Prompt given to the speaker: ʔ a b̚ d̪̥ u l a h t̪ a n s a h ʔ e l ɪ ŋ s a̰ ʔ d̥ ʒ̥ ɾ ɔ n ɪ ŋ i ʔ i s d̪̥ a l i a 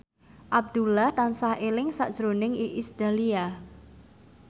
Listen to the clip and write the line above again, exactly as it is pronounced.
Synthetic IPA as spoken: ʔ a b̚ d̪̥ u l a h t̪ a n s a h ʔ e l ɪ ŋ s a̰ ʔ d̥ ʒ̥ ɾ o n ɪ ŋ i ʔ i s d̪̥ a l i a

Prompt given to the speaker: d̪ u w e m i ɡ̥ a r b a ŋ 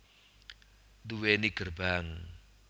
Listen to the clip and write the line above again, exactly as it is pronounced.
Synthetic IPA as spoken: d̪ u w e n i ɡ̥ ə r b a ŋ

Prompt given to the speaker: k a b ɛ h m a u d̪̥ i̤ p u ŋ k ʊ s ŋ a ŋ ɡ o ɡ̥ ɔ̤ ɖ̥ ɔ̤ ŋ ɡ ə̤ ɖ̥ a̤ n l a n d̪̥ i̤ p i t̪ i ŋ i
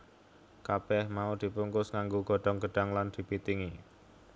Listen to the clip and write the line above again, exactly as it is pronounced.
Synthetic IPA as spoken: k a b ɛ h m a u d̪̥ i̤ p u ŋ k ʊ s ŋ a ŋ ɡ o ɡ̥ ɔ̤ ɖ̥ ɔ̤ ŋ ɡ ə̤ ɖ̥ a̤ ŋ l a n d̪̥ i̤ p i t̪ i ŋ i

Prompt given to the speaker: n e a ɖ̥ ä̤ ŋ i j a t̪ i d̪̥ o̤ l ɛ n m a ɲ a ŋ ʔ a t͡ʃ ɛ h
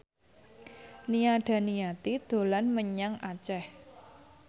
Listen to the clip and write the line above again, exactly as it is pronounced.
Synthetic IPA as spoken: n i a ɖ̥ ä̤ n i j a t̪ i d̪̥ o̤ l a n m ə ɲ a ŋ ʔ a t͡ʃ ɛ h

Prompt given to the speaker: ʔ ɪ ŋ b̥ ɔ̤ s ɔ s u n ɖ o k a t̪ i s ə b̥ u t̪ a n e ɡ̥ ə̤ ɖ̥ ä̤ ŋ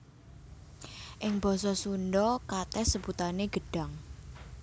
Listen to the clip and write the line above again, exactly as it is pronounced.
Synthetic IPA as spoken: ʔ ɪ ŋ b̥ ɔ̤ s ɔ s u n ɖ ɔ k a t̪ ɛ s ə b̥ u t̪ a n e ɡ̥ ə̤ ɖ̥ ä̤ ŋ

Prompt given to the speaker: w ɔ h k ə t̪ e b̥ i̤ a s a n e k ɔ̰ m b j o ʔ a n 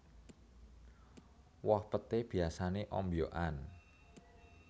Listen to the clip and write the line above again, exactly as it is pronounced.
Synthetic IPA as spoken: w ɔ h p ə t̪ e b̥ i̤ a s a n e ʔ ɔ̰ m b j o ʔ a n

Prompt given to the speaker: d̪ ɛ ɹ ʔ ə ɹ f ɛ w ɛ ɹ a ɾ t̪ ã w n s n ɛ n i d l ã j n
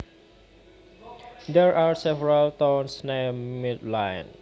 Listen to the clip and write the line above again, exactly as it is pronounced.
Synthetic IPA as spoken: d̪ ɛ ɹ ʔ a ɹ s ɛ v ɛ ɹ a l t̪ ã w n s n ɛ m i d l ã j n

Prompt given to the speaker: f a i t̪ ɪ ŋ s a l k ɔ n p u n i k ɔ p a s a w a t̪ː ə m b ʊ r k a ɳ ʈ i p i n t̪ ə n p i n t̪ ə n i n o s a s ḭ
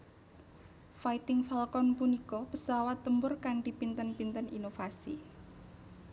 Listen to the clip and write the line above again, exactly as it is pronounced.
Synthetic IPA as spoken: f a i t̪ ɪ ŋ f a l k ɔ n p u n i k ɔ p ə s a w a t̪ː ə m b ʊ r k a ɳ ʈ i p i n t̪ ə n p i n t̪ ə n i n o f a s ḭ

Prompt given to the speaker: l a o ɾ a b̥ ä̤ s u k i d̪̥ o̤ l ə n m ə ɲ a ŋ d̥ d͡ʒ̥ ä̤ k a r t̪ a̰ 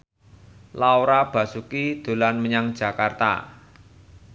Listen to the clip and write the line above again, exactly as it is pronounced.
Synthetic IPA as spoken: l a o ɾ a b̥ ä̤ s u k i d̪̥ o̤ l a n m ə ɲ a ŋ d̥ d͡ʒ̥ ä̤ k a r t̪ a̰

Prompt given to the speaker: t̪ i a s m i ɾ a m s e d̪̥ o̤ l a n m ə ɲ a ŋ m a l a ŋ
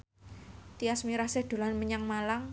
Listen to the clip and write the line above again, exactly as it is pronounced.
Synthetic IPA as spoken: t̪ i a s m i ɾ a s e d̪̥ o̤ l a n m ə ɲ a ŋ m a l a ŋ

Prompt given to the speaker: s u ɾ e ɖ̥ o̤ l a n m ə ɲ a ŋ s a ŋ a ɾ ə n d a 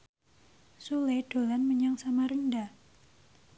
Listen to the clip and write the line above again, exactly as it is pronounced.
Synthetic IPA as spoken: s u l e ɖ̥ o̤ l a n m ə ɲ a ŋ s a m a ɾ ə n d a

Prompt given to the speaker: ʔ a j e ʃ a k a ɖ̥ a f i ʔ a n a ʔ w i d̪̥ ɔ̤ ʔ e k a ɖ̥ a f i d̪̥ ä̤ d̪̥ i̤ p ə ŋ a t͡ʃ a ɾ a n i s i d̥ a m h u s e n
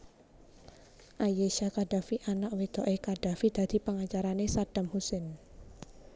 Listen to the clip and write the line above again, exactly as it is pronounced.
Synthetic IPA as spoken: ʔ a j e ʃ a k a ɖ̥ a f i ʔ a n a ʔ w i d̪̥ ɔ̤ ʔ e k a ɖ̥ a f i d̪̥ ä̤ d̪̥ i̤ p ə ŋ a t͡ʃ a ɾ a n e s a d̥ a m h u s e n

